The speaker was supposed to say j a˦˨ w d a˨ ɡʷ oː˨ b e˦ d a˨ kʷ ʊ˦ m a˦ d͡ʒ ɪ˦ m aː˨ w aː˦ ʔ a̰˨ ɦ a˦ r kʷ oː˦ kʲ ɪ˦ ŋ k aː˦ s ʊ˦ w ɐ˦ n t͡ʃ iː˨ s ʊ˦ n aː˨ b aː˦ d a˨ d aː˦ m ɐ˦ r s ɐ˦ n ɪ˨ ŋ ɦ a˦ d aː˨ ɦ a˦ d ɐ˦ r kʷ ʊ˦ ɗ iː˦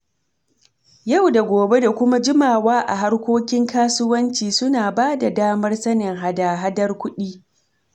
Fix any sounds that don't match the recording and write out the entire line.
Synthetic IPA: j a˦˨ w d a˨ ɡʷ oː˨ b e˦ d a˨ kʷ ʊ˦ m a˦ d͡ʒ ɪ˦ m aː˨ w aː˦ ʔ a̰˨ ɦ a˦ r kʷ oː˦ kʲ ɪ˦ ŋ k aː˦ s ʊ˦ w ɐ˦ n t͡ʃ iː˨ s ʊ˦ n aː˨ b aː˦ d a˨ d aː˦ m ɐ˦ r s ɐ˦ n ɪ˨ ŋ ɦ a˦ d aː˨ ɦ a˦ d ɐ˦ r kʷ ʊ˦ ɗ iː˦

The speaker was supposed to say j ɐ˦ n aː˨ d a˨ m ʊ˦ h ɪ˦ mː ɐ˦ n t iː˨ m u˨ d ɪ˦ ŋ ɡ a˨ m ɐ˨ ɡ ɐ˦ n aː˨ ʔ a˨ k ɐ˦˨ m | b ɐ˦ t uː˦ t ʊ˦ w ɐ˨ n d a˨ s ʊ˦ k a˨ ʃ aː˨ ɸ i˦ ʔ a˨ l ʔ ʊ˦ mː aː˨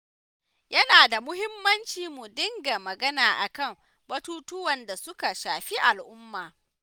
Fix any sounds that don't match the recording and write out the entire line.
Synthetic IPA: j ɐ˦ n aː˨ d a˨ m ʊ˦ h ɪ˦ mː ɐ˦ n t͡ʃ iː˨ m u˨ d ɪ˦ ŋ ɡ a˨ m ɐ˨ ɡ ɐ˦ n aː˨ ʔ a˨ k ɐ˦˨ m | b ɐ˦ t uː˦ t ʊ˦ w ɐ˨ n d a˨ s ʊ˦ k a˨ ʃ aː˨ ɸ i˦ ʔ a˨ l ʔ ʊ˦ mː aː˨

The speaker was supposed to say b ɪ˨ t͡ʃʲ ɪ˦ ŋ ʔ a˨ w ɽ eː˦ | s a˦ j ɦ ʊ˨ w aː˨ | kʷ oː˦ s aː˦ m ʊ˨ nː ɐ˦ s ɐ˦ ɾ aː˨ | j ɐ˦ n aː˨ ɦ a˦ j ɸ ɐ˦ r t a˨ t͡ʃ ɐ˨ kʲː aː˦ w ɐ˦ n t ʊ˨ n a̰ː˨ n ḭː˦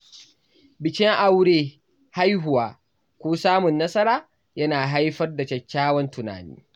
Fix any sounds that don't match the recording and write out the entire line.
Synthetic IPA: b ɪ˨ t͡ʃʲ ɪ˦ ŋ ʔ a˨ w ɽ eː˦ | h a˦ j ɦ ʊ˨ w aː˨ | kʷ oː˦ s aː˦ m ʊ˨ nː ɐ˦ s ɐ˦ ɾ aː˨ | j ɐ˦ n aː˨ ɦ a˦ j ɸ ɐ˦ r d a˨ t͡ʃ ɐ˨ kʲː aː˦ w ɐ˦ n t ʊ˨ n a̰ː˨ n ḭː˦

